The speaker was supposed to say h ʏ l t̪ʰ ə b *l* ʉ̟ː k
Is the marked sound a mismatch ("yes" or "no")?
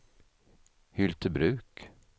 yes